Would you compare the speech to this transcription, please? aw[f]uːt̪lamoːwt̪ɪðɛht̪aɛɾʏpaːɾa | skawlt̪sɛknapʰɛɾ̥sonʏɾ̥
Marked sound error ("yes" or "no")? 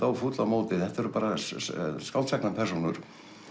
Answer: no